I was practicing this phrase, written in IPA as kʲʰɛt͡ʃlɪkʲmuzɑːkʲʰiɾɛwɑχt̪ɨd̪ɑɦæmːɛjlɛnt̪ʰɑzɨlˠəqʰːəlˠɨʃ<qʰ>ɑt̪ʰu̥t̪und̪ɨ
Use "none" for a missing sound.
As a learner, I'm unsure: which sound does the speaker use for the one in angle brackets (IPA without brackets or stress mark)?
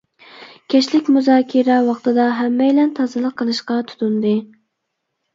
q